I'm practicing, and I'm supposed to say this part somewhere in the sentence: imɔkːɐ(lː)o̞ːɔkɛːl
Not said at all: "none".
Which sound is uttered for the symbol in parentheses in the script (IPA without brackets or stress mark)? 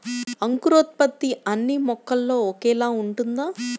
lː